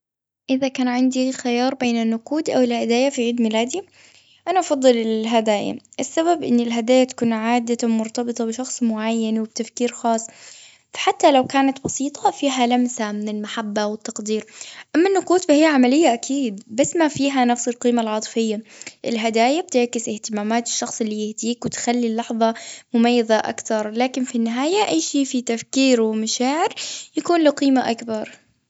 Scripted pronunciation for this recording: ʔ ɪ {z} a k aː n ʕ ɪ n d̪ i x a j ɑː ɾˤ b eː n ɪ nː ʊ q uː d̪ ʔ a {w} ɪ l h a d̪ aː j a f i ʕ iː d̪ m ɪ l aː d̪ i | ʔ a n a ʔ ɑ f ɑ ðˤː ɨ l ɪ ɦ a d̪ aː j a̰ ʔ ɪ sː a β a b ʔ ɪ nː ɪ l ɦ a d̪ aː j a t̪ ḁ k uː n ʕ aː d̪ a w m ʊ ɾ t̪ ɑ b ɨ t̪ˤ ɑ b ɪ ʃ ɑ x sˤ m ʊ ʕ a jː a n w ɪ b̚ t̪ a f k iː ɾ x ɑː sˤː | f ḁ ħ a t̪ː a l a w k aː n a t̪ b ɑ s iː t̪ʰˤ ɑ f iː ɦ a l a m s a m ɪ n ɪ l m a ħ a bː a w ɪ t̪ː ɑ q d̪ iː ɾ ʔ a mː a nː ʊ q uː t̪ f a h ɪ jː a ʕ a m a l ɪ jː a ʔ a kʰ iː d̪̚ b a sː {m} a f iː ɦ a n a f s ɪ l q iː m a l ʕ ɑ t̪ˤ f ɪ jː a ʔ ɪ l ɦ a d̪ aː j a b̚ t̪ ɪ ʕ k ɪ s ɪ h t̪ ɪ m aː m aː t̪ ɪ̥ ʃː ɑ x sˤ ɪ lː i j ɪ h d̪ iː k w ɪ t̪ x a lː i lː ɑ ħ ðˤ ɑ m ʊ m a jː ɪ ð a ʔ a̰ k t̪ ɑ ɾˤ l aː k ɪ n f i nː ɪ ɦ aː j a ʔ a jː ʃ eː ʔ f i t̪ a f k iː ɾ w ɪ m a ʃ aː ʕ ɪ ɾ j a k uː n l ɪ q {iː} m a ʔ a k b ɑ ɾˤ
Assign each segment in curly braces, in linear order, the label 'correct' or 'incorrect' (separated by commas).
incorrect, correct, correct, correct